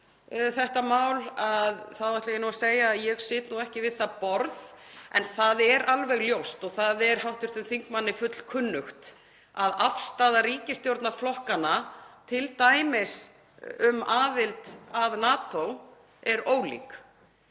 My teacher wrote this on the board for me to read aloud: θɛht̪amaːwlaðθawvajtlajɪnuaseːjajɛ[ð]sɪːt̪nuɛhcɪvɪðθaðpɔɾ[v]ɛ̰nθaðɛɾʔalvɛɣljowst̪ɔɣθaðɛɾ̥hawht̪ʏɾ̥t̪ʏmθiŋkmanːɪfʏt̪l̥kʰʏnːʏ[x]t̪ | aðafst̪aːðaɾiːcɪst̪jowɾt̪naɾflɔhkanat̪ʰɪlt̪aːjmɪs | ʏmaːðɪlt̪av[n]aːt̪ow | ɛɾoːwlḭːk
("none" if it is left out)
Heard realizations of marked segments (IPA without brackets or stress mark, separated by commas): ɣ, ð, x, n